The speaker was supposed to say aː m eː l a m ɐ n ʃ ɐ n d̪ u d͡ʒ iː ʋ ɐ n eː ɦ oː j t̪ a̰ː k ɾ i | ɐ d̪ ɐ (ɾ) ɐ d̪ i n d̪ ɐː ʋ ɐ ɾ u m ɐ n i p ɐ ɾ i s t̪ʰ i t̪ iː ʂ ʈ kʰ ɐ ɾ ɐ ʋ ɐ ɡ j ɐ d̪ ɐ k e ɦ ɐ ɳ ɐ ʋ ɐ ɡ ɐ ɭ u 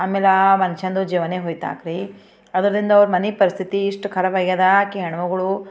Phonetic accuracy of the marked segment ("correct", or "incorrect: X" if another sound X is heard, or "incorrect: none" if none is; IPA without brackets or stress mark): correct